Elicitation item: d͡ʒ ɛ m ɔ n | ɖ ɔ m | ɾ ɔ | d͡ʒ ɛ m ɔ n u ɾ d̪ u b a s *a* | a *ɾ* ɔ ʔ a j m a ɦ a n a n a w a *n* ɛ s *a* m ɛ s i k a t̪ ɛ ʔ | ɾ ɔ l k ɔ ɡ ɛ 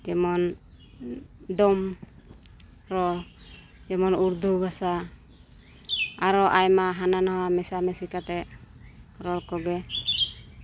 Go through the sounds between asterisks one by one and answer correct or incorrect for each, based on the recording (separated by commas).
correct, correct, incorrect, correct